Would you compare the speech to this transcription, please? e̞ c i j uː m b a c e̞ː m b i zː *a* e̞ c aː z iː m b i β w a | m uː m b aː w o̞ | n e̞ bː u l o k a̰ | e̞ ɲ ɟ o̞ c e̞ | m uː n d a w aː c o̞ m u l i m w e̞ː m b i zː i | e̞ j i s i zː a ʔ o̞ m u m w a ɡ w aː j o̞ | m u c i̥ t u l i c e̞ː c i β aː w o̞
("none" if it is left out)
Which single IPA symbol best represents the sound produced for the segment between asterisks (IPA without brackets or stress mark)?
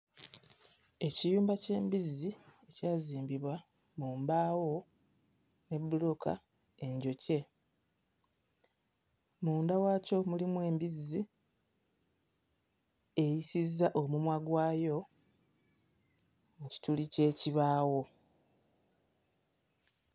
i